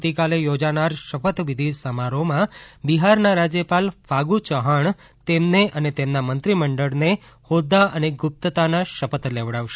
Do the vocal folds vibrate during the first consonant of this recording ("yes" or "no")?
no